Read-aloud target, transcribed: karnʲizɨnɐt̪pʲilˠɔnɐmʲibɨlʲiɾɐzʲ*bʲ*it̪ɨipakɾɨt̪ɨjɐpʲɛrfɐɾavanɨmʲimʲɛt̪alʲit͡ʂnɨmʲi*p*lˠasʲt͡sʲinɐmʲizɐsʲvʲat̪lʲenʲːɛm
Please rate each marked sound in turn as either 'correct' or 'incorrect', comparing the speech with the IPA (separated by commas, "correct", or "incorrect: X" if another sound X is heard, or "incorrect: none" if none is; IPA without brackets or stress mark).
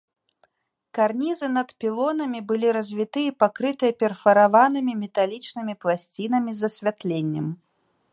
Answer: incorrect: vʲ, correct